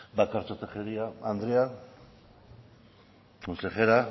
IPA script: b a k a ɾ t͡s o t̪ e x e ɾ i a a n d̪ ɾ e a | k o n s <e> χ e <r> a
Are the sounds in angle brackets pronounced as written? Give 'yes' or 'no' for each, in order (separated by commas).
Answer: yes, no